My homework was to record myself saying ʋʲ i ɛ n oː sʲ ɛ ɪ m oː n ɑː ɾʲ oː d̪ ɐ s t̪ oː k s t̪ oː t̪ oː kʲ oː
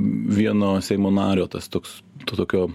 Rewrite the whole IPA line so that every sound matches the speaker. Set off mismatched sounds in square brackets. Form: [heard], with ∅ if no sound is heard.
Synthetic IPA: ʋʲ i ɛ n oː sʲ ɛ ɪ m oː n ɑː ɾʲ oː [t̪] ɐ s t̪ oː k s t̪ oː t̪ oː kʲ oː